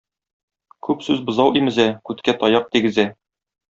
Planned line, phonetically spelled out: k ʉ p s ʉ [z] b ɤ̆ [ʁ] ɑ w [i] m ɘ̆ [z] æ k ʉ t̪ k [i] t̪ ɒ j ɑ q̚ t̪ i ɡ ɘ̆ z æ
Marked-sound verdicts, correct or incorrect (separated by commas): correct, incorrect, correct, correct, incorrect